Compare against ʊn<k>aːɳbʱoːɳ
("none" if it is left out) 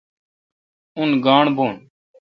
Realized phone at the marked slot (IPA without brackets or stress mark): ɡ